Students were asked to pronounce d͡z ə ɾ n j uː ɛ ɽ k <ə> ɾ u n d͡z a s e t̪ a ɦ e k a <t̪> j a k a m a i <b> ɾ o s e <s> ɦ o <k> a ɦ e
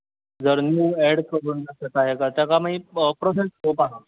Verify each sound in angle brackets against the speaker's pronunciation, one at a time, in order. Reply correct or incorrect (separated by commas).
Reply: correct, correct, incorrect, correct, incorrect